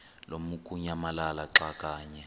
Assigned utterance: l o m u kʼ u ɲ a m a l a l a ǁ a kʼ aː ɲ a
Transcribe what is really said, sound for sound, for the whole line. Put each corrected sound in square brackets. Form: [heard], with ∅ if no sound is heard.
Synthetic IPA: l o m u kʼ u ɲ a m a l a l a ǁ a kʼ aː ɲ [ɛ]

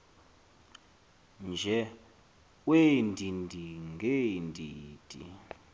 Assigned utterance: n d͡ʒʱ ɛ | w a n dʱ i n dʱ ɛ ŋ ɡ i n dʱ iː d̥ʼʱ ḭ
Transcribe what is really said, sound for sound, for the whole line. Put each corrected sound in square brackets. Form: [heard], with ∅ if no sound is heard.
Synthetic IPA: n d͡ʒʱ ɛ | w [e] n dʱ i n dʱ [i] ŋ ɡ [e] n dʱ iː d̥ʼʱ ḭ

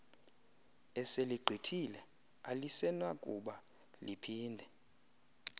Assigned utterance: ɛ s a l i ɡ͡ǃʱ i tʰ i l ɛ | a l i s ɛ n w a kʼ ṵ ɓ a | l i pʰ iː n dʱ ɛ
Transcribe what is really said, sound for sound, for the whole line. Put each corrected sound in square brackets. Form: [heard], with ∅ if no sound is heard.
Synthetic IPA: ɛ s [e] l i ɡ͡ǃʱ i tʰ i l ɛ | a l i s ɛ n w a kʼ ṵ ɓ a | l i pʰ iː n dʱ ɛ

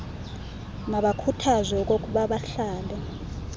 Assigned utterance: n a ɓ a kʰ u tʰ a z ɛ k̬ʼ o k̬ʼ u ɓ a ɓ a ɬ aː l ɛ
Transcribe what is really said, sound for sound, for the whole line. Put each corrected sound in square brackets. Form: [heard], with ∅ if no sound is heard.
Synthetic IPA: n a ɓ a kʰ u tʰ a z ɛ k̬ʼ o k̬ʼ u ɓ a ɓ a ɬ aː l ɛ

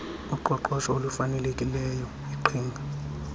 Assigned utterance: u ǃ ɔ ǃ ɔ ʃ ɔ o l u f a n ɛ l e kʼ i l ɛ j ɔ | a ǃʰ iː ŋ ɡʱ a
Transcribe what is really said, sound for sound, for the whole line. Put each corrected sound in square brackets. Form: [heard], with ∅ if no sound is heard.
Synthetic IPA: u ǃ ɔ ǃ ɔ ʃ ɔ o l u f a n ɛ l e kʼ i l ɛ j ɔ | [i] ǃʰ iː ŋ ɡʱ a

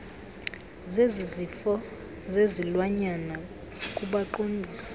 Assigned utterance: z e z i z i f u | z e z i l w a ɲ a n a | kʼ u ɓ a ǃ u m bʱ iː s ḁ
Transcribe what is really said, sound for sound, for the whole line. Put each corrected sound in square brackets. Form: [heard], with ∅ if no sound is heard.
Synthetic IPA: z e z i z i f [ɔ] | z e z i l w a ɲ a n a | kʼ u ɓ a ǃ [o] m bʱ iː s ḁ

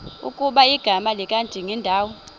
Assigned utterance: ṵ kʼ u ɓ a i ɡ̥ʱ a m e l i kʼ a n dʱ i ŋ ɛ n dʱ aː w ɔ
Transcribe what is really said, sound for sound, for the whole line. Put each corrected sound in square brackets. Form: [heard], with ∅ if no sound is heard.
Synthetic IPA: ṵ kʼ u ɓ a i ɡ̥ʱ a m [a] l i kʼ a n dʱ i ŋ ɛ n dʱ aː w ɔ

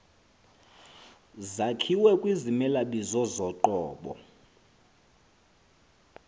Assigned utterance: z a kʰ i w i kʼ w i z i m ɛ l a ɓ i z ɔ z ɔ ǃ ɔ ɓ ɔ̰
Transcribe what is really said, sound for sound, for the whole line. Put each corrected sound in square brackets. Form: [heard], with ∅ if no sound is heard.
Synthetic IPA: z a kʰ i w [ɛ] kʼ w i z i m ɛ l a ɓ i z ɔ z ɔ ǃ [ɔː] ɓ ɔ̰

